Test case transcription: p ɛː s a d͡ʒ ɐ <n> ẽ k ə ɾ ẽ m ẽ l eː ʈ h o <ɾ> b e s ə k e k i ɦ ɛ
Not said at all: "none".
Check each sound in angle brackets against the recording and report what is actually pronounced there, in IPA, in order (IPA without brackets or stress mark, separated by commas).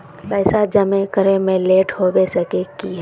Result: m, none